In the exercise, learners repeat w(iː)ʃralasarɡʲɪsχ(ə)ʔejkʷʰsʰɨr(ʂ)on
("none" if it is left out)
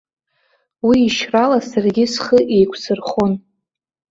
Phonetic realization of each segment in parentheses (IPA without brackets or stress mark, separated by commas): iː, ə, χ